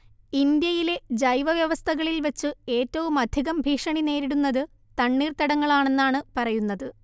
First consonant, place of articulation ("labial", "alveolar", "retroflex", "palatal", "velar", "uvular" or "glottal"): alveolar